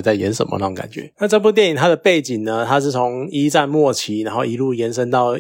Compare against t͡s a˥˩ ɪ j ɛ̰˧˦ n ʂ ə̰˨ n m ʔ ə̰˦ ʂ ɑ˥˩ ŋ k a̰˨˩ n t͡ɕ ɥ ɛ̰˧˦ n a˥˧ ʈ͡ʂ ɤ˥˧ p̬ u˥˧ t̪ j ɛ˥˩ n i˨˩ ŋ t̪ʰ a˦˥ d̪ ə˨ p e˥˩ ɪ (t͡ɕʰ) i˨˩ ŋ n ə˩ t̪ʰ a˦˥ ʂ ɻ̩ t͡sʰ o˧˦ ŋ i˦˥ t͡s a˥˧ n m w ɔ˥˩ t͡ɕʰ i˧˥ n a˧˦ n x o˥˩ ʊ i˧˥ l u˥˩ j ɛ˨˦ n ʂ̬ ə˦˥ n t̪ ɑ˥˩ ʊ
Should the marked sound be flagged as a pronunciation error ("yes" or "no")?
yes